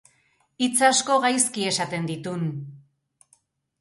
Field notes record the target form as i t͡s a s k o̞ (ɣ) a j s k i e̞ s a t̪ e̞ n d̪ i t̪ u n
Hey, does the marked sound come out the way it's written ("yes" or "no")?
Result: yes